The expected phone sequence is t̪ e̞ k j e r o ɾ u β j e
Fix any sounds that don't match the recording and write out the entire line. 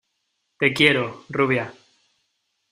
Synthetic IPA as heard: t̪ e̞ k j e ɾ o r u β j a